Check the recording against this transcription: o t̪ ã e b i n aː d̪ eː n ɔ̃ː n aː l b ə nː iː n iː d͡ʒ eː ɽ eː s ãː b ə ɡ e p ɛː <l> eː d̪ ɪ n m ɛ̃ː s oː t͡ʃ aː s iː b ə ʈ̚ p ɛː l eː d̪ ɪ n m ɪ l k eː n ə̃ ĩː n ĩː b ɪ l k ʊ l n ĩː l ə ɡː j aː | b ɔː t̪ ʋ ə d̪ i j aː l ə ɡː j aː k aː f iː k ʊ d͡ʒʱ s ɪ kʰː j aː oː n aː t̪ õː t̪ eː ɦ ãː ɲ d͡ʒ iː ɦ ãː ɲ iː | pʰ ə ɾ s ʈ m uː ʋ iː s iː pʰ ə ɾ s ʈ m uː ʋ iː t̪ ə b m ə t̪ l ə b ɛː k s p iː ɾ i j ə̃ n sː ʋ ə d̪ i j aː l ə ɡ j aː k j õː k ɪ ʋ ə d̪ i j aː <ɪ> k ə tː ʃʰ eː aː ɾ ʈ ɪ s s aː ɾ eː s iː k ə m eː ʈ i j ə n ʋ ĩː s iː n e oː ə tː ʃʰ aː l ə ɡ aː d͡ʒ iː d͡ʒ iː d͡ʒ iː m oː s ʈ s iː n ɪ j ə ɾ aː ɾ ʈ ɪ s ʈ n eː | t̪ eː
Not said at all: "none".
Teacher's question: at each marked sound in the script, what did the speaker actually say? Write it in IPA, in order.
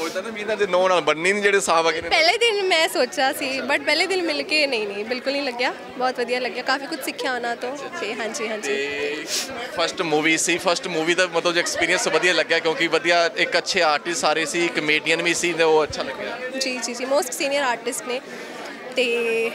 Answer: l, ɪ

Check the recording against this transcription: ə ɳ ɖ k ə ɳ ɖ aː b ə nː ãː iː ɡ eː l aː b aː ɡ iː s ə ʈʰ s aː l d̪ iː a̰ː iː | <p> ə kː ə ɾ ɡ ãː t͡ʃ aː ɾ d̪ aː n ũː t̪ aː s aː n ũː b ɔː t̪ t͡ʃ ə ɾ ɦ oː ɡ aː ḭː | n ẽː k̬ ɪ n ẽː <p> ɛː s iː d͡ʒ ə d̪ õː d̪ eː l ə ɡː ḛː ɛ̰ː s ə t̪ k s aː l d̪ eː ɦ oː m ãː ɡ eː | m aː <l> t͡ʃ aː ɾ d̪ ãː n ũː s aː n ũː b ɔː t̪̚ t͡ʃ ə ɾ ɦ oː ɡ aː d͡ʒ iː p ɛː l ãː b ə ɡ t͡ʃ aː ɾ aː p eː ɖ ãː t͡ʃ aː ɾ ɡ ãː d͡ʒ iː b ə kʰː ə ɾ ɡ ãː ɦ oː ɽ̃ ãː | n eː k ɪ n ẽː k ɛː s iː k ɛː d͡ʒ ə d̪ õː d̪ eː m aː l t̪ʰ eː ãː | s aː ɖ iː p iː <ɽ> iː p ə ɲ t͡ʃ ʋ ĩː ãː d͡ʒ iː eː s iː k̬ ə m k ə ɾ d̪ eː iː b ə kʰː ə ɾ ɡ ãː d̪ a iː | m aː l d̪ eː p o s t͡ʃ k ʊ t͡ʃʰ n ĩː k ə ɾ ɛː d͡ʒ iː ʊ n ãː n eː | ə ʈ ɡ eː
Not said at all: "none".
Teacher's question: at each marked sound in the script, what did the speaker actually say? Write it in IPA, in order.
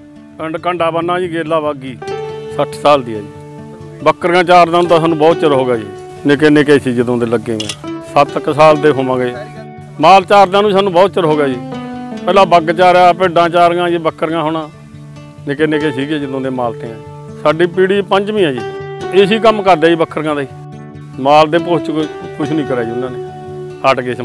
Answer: b, k, l, ɽ

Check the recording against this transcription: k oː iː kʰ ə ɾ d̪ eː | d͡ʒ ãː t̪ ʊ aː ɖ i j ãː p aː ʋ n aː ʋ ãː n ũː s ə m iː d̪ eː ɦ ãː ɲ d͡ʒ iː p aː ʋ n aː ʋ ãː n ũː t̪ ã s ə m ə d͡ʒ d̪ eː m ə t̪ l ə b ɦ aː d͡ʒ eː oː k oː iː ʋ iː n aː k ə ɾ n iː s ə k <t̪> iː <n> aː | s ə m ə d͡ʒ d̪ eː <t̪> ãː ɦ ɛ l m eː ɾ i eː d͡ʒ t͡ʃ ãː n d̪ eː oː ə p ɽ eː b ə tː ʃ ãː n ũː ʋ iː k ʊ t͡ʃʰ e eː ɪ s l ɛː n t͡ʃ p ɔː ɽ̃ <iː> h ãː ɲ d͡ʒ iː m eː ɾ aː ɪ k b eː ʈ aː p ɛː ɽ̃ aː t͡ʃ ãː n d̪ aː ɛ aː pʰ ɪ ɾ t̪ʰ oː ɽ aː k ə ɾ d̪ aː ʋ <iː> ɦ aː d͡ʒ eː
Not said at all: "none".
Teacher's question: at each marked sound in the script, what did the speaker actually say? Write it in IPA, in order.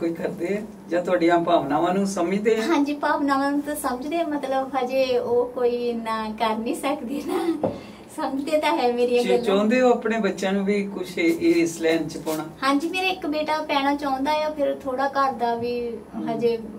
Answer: d̪, n, t̪, aː, iː

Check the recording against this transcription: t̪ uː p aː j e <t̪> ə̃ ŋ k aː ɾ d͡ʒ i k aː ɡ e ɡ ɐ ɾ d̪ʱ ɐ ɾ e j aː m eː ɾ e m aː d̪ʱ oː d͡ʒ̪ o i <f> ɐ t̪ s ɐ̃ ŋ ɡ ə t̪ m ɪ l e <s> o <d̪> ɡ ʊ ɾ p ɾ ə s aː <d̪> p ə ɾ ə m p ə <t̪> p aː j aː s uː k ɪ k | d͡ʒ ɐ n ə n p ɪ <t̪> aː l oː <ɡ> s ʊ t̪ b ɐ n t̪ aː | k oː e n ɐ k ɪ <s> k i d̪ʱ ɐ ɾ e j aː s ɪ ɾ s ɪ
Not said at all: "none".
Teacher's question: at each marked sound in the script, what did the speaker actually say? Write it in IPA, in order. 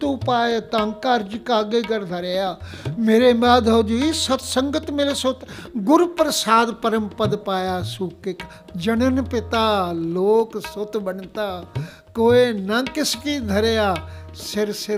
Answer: t̪, s, s, t̪, d̪, d̪, t̪, k, s

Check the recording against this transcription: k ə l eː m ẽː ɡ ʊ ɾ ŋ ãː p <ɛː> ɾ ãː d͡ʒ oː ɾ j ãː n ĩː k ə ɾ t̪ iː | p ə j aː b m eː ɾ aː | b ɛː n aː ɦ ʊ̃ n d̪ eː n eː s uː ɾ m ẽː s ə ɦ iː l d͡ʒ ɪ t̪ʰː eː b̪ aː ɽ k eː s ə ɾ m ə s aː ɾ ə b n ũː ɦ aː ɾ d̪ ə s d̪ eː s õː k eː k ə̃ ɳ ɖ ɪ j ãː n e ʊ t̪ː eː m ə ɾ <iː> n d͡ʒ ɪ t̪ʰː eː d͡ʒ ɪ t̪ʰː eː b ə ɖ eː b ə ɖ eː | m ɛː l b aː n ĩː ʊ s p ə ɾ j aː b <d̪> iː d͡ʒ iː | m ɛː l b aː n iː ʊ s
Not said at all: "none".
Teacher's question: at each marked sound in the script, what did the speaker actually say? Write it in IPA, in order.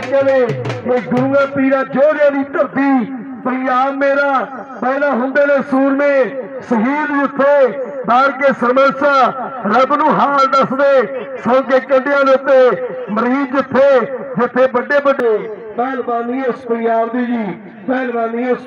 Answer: iː, iː, d̪

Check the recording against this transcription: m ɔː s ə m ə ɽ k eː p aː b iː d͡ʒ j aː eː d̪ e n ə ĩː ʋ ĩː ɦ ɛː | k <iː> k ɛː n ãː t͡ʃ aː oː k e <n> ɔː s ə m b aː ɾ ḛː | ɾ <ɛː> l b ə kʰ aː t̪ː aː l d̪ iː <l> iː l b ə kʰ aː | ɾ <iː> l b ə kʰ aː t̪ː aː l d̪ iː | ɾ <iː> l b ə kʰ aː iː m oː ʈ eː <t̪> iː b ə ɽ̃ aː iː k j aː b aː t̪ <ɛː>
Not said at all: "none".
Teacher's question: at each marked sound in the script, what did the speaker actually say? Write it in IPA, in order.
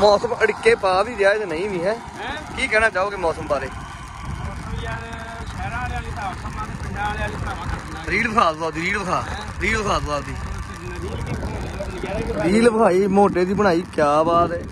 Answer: iː, m, iː, ɾ, iː, iː, d̪, ɛː

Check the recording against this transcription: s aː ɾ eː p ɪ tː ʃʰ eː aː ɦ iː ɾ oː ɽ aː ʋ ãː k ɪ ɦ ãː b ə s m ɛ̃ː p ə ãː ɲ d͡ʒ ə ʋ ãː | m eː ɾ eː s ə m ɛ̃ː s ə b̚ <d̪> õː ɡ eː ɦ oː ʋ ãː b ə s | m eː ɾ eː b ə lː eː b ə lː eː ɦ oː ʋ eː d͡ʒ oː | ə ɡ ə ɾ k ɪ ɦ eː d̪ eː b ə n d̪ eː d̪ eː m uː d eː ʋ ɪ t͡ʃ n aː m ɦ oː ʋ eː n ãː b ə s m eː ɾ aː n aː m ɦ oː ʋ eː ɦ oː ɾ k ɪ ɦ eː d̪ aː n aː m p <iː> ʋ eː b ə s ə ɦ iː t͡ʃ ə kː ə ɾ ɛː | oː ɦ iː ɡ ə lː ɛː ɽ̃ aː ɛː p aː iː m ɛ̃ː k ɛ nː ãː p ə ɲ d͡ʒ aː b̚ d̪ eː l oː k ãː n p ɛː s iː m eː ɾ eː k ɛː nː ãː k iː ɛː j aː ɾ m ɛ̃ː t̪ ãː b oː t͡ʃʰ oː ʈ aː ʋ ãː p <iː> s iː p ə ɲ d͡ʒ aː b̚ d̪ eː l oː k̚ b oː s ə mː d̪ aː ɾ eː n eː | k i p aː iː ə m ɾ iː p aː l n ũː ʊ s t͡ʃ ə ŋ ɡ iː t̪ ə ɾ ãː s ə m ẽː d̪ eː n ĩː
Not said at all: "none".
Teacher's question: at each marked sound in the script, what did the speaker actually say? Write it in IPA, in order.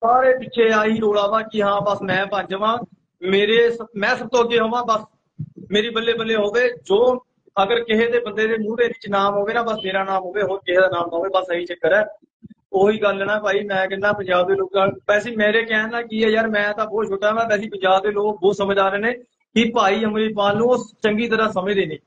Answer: t̪, aː, ɛː

